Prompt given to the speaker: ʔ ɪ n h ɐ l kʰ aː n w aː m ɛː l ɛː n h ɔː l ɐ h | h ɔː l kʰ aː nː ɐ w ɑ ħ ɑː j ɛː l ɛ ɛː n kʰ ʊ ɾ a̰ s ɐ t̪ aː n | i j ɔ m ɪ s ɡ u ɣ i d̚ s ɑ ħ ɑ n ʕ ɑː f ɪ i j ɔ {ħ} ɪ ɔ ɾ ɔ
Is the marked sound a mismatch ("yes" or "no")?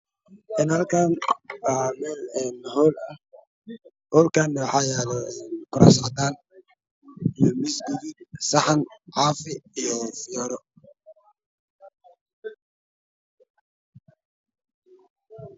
yes